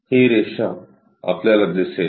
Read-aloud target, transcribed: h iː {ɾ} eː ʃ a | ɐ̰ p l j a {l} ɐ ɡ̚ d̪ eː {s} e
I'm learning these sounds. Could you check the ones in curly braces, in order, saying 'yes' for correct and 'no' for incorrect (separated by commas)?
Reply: yes, yes, yes